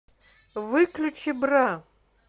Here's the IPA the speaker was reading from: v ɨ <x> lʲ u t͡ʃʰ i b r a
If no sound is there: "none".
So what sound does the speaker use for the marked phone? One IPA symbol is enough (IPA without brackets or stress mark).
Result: k